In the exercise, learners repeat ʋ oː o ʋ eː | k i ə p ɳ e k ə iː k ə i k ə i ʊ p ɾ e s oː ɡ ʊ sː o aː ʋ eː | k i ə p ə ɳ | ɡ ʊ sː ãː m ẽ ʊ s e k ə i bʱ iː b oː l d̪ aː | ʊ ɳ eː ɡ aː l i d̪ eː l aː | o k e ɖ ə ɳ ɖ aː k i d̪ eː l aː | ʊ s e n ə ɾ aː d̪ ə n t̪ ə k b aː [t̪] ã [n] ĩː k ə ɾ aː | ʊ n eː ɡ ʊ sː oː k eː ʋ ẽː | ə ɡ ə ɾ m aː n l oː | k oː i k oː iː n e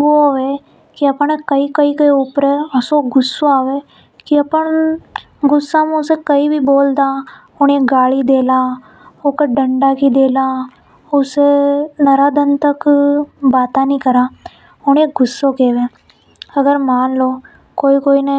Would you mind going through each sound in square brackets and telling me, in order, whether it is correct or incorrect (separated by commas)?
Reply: correct, correct